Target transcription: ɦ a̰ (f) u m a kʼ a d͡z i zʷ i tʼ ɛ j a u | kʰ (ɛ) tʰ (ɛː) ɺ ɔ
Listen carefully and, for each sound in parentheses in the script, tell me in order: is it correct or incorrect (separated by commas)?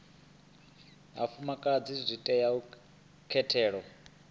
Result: correct, correct, correct